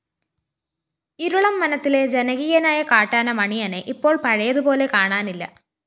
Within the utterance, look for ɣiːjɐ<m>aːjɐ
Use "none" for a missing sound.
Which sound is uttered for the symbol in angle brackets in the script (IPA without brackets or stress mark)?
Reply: n